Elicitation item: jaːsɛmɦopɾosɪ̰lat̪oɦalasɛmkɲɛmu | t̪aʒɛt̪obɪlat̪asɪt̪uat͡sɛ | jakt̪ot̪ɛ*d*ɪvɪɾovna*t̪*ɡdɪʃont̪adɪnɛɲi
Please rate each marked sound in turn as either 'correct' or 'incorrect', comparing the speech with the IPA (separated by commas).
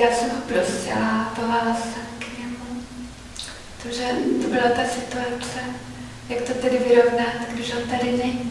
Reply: correct, correct